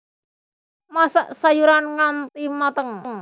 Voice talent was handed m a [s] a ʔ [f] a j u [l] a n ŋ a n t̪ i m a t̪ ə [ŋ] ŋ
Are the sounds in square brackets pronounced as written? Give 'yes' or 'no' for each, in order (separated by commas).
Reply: yes, no, no, yes